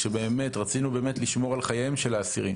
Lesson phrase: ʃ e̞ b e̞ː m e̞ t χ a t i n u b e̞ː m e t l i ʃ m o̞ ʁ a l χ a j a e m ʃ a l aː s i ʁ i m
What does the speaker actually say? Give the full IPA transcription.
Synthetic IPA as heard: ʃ e̞ b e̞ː m e̞ t ʁ a t͡s i n u b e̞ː m e t l i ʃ m o̞ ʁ a l χ a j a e m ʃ e l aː s i ʁ i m